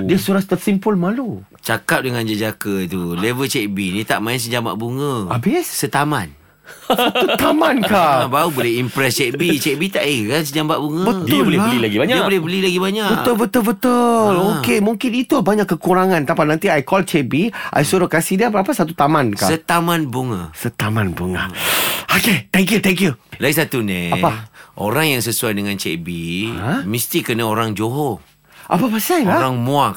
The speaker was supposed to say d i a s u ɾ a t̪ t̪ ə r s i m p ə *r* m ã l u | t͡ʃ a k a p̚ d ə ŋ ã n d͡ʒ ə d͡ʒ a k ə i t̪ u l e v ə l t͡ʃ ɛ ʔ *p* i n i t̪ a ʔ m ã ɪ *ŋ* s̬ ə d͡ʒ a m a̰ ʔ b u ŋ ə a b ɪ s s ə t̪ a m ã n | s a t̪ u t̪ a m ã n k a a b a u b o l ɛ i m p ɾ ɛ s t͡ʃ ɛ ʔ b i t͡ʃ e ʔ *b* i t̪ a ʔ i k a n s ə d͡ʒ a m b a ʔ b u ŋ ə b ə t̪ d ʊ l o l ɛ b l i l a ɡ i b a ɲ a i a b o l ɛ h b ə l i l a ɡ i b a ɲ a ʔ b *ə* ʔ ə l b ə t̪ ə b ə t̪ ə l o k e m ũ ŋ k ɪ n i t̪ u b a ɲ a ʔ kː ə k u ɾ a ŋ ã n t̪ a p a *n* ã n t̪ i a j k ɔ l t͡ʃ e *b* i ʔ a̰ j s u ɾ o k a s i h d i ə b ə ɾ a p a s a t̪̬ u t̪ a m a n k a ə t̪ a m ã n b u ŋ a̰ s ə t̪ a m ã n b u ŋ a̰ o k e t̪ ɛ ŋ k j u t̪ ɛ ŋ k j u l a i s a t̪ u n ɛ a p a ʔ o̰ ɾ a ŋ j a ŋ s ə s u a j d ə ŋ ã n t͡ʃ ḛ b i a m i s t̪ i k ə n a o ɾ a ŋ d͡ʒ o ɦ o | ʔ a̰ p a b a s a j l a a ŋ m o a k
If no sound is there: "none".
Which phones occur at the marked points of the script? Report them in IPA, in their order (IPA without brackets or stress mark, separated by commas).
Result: l, b, n, b, ə, n, b